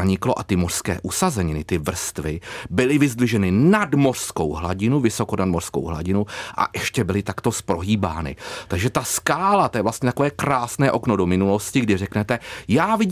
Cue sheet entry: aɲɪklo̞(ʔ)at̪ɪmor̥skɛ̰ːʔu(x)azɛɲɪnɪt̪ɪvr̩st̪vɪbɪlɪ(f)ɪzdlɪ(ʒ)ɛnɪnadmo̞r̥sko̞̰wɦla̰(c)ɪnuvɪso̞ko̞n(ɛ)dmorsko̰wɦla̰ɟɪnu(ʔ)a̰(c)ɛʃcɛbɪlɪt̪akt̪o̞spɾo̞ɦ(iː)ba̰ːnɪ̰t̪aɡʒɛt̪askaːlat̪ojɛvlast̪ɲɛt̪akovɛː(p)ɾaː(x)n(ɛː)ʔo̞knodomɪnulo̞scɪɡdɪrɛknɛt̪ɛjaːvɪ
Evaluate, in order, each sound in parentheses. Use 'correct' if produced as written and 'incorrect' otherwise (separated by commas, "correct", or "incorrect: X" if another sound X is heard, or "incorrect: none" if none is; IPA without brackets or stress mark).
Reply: correct, incorrect: s, incorrect: v, correct, incorrect: ɟ, incorrect: a, correct, incorrect: ʔ, correct, incorrect: k, incorrect: s, correct